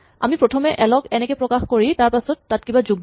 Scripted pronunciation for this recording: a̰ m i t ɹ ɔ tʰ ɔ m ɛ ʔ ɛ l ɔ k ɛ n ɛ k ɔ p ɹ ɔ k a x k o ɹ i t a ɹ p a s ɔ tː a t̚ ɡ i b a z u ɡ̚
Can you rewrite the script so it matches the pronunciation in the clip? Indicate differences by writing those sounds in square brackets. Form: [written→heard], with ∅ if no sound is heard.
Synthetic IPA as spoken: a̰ m i [t→p] ɹ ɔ tʰ ɔ m ɛ ʔ ɛ l ɔ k ɛ n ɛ k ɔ p ɹ ɔ k a x k o ɹ i t a ɹ p a s ɔ tː a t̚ [ɡ→k] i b a z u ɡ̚